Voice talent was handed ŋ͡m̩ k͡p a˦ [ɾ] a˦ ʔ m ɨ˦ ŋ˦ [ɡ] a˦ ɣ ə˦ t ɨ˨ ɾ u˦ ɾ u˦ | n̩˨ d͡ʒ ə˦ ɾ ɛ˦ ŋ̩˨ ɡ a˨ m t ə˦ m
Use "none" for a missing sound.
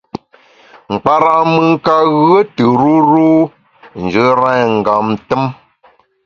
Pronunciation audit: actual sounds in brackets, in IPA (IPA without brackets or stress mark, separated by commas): ɾ, k